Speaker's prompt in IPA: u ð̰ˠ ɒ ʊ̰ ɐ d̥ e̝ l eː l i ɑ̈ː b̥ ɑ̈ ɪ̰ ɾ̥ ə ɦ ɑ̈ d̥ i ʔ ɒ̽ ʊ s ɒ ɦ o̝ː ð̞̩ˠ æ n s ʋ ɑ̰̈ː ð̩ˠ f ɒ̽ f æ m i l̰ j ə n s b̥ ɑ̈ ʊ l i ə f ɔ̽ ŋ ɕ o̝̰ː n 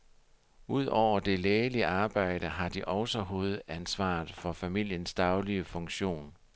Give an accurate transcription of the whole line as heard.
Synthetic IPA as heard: u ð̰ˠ ɒ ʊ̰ ɐ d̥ e̝ l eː l i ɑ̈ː b̥ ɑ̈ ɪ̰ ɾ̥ ə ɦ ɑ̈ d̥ i ʔ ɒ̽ ʊ s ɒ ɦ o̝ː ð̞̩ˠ æ n s ʋ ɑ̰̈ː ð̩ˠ f ɒ̽ f æ m i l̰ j ə n s d̥ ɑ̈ ʊ l i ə f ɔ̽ ŋ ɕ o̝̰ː n